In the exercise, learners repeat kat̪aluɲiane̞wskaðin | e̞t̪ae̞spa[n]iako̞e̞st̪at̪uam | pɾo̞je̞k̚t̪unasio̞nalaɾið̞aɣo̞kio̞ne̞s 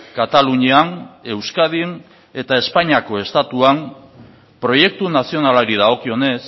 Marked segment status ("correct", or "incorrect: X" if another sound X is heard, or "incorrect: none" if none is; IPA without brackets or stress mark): incorrect: ɲ